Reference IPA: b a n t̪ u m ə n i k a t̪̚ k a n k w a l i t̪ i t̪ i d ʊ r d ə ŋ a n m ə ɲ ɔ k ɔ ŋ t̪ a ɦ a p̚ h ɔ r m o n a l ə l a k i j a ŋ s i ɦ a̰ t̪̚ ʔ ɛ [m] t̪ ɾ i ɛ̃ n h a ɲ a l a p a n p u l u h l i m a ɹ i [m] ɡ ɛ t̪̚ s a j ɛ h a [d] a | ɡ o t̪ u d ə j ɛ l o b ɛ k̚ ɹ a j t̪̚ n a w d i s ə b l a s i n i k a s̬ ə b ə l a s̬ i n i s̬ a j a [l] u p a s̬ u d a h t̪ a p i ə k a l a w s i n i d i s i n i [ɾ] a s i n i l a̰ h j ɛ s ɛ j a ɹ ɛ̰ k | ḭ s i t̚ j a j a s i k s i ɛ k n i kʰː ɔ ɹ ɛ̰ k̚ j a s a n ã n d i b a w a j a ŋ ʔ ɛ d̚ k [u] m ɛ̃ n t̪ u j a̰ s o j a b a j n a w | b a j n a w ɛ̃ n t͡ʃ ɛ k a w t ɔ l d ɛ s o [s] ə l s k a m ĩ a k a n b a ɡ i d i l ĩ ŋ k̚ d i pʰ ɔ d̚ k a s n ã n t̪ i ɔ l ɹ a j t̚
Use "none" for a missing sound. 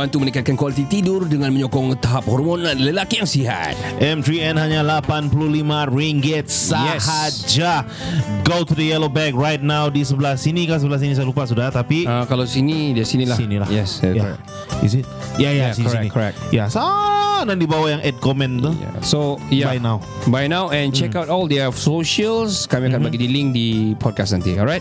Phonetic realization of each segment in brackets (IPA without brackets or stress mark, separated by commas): m, ŋ, d͡ʒ, l, l, ɔ, ʃ